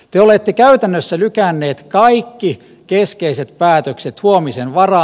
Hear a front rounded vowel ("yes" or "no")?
yes